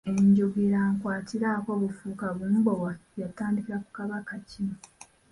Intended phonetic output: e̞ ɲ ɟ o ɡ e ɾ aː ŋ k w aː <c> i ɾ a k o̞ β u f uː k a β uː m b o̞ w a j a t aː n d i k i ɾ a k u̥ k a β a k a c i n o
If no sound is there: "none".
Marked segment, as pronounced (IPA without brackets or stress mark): t